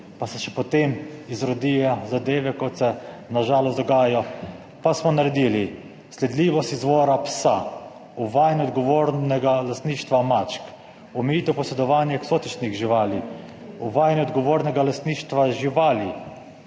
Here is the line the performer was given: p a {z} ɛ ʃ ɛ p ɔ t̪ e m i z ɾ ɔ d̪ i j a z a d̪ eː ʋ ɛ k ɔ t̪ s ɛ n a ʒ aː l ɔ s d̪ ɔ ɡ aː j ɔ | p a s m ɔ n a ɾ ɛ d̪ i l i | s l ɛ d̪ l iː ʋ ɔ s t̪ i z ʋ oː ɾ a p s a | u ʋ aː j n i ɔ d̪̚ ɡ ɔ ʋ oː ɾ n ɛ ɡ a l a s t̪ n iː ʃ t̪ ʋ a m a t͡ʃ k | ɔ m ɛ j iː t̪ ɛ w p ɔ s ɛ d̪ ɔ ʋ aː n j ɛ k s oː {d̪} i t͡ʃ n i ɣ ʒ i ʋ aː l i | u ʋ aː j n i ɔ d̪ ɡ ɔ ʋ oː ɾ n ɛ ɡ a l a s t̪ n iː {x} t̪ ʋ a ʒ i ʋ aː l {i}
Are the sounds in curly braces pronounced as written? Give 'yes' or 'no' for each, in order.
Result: no, no, no, yes

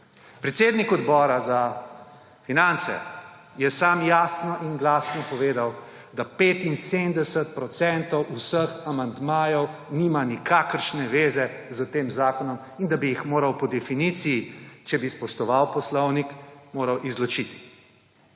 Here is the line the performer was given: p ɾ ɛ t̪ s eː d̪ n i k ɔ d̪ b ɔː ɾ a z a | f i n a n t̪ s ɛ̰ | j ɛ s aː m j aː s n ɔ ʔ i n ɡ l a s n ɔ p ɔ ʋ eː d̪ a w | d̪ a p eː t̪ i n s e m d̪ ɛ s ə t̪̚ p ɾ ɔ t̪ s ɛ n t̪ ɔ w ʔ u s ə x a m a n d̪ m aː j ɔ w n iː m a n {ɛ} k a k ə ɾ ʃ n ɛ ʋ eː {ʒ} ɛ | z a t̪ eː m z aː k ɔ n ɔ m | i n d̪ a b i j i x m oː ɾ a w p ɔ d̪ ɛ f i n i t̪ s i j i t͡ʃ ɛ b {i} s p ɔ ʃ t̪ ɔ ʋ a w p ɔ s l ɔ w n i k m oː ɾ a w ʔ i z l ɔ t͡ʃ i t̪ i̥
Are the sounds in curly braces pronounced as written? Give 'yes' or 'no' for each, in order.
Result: no, no, yes

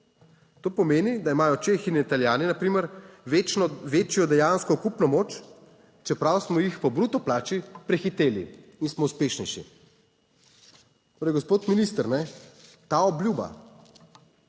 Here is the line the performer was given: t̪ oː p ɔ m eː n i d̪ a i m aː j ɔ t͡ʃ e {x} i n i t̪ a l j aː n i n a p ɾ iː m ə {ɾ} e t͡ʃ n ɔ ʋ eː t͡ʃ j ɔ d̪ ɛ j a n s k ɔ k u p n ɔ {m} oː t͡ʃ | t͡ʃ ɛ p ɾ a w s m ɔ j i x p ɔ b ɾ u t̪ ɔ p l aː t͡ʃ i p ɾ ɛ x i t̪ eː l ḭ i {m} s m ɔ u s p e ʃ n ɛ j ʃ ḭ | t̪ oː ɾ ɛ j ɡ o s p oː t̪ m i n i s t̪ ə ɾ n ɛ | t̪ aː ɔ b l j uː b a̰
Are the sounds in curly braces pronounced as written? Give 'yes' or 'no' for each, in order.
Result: yes, yes, yes, no

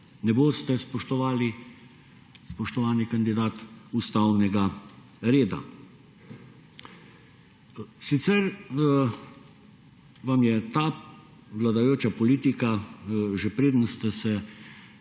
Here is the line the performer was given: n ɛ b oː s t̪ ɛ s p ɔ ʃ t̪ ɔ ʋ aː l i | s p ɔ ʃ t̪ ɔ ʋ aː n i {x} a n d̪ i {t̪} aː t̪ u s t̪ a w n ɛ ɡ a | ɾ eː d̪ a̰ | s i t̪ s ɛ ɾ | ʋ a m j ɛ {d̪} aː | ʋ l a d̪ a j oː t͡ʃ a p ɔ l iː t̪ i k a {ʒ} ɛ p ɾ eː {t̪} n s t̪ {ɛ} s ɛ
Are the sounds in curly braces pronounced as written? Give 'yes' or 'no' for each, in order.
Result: no, no, no, yes, no, yes

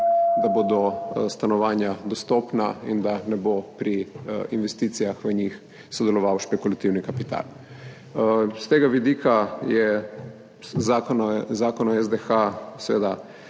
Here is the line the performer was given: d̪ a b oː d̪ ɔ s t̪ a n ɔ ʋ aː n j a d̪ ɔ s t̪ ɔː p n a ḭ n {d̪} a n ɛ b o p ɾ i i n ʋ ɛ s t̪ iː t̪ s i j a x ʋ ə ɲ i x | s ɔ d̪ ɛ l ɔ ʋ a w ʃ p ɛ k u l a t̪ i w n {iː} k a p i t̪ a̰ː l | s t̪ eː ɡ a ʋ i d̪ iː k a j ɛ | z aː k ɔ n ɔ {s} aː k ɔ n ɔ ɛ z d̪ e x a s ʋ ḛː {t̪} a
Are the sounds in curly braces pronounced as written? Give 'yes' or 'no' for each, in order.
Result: yes, no, no, no

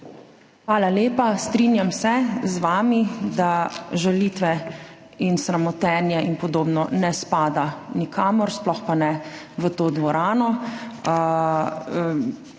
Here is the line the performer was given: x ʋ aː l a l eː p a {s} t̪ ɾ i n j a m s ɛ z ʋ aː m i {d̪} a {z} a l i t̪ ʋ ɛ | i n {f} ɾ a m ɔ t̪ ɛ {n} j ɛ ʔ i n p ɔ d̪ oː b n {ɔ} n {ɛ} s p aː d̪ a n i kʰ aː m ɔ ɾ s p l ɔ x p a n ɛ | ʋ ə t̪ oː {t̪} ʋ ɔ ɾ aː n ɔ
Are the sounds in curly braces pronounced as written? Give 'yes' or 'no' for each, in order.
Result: yes, yes, no, no, yes, yes, yes, no

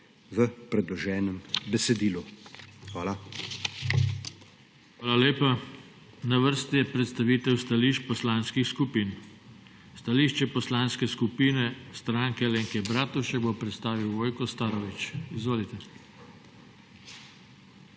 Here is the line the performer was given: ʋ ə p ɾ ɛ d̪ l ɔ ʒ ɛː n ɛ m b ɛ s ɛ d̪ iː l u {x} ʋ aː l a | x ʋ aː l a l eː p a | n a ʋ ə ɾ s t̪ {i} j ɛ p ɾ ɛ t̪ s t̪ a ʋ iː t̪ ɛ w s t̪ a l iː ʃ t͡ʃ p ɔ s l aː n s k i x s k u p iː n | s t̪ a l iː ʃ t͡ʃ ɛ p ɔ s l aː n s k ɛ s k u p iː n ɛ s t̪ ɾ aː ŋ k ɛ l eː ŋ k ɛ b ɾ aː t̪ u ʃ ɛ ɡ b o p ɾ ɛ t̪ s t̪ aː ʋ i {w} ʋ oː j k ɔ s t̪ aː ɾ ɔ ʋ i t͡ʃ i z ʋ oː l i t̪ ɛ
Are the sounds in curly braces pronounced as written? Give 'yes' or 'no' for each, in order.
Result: yes, yes, yes

